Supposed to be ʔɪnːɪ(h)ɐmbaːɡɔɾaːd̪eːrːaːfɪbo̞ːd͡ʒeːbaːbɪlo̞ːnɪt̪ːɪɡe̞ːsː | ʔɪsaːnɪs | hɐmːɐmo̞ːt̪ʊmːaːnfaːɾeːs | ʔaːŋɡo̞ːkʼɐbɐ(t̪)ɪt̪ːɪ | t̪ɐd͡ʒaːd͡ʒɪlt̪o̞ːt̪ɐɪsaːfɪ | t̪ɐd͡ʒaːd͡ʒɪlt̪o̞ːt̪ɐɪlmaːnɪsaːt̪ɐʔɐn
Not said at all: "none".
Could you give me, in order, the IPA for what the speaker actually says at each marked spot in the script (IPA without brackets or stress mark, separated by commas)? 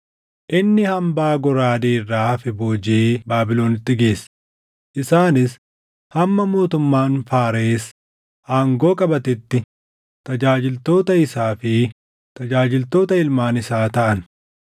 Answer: h, t̪